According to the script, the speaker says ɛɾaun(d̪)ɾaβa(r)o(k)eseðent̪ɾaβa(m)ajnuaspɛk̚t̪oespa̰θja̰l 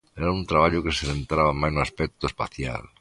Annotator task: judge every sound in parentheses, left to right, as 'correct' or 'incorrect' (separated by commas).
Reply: incorrect, incorrect, correct, correct